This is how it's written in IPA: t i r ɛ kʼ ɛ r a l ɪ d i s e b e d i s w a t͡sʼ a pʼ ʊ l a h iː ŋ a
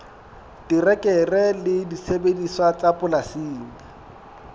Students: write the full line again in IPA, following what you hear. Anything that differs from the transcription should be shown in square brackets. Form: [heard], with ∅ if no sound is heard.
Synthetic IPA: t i r ɛ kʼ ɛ r [ɛ] l ɪ d i s e b e d i s w a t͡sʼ a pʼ ʊ l a [s] iː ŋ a